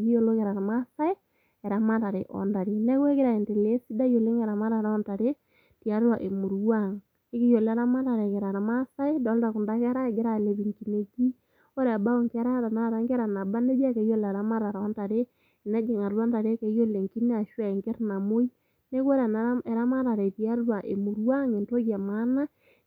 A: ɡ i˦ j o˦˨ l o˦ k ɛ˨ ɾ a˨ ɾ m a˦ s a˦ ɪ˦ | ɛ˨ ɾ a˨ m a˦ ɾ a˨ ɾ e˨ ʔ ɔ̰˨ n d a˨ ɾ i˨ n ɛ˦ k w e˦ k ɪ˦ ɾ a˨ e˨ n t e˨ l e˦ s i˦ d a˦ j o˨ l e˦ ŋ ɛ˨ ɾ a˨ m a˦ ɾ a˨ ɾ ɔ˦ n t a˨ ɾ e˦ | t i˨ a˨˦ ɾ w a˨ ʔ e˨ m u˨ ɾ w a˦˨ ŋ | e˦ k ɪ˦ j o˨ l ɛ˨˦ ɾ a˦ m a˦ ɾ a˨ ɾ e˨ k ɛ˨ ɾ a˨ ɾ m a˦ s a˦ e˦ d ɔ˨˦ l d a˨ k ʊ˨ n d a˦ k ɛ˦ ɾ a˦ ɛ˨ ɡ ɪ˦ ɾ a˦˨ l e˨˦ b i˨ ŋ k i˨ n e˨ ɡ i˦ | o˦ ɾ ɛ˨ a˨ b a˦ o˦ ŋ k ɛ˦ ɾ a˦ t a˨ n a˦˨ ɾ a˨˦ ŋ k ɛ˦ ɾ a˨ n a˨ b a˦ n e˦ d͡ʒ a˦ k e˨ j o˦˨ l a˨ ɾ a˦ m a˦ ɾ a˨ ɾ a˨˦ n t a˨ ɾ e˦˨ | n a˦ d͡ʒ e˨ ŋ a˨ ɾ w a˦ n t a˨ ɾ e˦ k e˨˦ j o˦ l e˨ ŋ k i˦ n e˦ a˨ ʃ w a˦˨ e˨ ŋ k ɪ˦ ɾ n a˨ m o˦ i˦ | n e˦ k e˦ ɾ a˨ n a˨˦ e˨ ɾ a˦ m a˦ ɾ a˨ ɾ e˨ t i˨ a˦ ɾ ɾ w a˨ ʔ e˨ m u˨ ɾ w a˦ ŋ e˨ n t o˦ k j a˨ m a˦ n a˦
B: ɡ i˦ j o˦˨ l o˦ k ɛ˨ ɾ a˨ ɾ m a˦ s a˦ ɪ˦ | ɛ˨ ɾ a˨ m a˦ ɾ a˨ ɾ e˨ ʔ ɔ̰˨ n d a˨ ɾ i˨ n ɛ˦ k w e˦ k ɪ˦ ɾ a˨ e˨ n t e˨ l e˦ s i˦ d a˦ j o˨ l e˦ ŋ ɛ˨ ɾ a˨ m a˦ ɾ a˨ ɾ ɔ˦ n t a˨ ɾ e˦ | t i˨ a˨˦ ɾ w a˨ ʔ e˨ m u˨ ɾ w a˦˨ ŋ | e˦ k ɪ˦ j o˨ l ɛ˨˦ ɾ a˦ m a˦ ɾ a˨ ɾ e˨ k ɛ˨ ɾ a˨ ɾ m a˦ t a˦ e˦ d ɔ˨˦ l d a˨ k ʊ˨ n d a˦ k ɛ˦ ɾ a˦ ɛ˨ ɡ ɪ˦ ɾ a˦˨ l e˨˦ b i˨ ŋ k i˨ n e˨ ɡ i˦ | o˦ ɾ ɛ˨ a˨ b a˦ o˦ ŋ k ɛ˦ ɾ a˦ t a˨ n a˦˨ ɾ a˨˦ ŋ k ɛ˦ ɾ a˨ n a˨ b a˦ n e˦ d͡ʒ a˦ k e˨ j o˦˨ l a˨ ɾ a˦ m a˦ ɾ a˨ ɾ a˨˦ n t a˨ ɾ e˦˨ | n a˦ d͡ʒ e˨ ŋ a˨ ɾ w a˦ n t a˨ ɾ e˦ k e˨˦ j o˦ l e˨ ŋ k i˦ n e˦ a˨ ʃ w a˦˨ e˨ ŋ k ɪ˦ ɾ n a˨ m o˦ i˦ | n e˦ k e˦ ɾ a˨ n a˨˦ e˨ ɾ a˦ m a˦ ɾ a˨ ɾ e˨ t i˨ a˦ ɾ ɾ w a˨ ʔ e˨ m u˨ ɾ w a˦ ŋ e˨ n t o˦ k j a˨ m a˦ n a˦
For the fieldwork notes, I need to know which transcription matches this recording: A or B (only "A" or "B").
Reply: A